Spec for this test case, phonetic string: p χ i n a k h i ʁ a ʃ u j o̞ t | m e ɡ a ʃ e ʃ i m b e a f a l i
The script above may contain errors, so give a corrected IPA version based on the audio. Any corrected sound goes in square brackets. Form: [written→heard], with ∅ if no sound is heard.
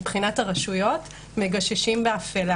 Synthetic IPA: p χ i n a [k→t] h [i→a] ʁ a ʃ u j o̞ t | m e ɡ a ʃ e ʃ i m b e a f [a→e] l [i→a]

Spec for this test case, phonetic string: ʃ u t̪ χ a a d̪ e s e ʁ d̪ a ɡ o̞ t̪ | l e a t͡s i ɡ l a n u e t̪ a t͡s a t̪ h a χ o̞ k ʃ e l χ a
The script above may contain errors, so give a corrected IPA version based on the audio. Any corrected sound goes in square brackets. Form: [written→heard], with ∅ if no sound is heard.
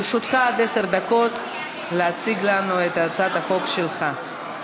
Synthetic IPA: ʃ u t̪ χ a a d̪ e s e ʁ d̪ a [ɡ→k] o̞ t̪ | l e a t͡s i ɡ l a n u e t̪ a t͡s a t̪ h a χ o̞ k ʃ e l χ a

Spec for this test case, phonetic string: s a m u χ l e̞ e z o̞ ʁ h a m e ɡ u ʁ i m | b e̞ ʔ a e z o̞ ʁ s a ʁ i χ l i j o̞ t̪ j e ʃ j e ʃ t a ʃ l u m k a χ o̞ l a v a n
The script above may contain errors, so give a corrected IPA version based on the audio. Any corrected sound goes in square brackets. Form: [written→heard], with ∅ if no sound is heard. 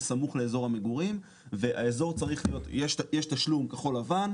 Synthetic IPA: s a m u χ l e̞ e z o̞ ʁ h a m e ɡ u ʁ i m | [b→v] e̞ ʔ a e z o̞ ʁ [s→t͡s] a ʁ i χ l i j o̞ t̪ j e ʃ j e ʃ t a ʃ l u m k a χ o̞ l a v a n

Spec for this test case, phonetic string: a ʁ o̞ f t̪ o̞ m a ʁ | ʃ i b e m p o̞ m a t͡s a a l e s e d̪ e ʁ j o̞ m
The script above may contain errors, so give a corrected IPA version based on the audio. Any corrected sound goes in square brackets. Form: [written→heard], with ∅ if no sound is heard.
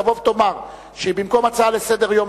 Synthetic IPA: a [ʁ→v] o̞ [f→v] t̪ o̞ m a ʁ | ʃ [i→e] b [e→i] m [p→k] o̞ m a t͡s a a l e s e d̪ e ʁ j o̞ m

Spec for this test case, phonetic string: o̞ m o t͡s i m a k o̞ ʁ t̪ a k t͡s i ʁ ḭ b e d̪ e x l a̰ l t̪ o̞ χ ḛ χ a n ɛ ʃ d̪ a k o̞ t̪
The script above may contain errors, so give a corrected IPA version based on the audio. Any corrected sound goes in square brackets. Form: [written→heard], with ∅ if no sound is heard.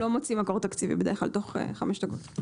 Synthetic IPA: o̞ m o t͡s i m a k o̞ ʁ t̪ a k t͡s i [ʁ→v] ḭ b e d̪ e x l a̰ l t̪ o̞ χ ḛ χ a [n→m] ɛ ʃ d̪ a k o̞ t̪

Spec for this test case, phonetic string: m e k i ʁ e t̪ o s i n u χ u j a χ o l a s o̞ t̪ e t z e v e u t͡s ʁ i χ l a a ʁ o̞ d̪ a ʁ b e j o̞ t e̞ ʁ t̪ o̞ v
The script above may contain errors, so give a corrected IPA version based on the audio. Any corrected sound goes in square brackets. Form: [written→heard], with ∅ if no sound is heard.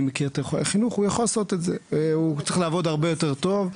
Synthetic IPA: m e k i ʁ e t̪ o [s→χ] i n u χ u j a χ o l a s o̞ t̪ e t z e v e u t͡s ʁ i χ l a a [ʁ→v] o̞ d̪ a ʁ b e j o̞ t e̞ ʁ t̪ o̞ v

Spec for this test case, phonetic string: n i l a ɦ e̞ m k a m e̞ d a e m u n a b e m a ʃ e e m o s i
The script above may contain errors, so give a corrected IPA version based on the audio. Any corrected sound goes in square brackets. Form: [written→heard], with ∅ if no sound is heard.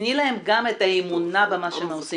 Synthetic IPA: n i l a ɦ e̞ m [k→ɡ] a m e̞ [d→t] a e m u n a b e m a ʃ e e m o s i

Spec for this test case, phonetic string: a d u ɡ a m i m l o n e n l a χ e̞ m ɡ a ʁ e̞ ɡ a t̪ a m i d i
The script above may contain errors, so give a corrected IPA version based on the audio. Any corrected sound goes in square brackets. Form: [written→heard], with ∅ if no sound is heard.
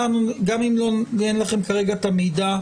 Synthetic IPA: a [d→n] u ɡ a m i m l o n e n l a χ e̞ m [ɡ→k] a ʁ e̞ ɡ a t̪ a m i d [i→a]

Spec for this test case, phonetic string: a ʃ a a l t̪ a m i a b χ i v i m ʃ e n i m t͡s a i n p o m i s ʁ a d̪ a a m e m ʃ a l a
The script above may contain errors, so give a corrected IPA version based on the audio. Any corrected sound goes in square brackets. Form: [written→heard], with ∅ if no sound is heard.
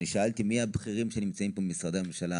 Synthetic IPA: [a→i] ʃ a a l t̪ [a→i] m i a b χ i [v→ʁ] i m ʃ e n i m t͡s a i [n→m] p o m i s ʁ a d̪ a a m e m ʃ a l a

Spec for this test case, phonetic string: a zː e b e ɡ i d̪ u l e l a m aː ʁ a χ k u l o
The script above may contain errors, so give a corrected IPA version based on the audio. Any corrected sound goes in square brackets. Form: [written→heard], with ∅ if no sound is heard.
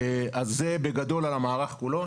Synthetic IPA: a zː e b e ɡ [i→a] d̪ [u→o] l [e→a] l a m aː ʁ a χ k u l o

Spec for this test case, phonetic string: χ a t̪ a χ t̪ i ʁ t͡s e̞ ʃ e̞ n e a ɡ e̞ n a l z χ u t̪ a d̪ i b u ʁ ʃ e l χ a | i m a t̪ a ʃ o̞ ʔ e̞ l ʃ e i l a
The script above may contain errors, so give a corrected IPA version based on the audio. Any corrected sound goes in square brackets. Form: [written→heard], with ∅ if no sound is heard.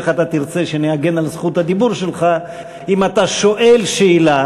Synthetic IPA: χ a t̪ a [χ→∅] t̪ i ʁ t͡s e̞ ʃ e̞ n e a ɡ e̞ n a l z χ u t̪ a d̪ i b u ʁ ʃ e l χ a | i m a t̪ a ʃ o̞ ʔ e̞ l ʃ e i l a

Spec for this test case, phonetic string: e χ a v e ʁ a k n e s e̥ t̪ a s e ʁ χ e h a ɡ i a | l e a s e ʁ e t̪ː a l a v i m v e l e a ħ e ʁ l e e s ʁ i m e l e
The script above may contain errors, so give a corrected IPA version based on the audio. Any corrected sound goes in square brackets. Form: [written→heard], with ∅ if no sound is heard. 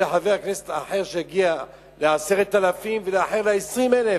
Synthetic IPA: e [χ→ħ] a v e [ʁ→∅] a k n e s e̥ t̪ a [s→ħ] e ʁ [χ→ʃ] e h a ɡ i a | l e a s e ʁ e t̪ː a l a [v→f] i m v e l e a ħ e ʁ l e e s ʁ i m e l e

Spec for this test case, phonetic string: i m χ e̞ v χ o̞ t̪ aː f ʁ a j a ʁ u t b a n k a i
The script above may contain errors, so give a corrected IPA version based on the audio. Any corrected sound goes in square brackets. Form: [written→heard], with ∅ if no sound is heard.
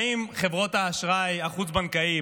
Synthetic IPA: i m χ e̞ v [χ→ʁ] o̞ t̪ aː [f→ʃ] ʁ a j a [ʁ→χ] u [t→t͡s] b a n k a i

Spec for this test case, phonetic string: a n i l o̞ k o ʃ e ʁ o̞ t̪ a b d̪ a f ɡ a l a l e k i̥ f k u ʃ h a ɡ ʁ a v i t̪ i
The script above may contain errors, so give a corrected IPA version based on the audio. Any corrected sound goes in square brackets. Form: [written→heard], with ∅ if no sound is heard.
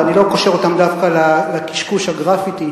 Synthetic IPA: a n i l o̞ k o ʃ e ʁ o̞ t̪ a [b→m] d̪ a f [ɡ→k] a l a l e k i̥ [f→ʃ] k u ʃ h a ɡ ʁ a [v→f] i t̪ i

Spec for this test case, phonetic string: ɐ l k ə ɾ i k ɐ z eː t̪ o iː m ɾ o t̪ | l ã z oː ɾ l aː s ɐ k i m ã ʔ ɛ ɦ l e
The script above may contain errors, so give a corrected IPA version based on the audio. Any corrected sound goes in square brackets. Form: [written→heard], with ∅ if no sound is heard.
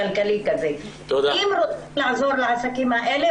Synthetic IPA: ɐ l k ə [ɾ→l] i k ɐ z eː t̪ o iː m ɾ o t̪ | l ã z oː ɾ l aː s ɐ k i m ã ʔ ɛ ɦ l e

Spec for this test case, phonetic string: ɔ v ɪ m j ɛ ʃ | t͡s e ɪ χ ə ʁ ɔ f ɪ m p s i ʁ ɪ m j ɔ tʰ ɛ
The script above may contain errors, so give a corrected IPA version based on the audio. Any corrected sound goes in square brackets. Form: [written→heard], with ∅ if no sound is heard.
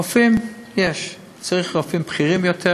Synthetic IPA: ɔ [v→f] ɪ m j ɛ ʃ | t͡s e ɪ χ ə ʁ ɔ f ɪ m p [s→χ] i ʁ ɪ m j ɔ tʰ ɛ

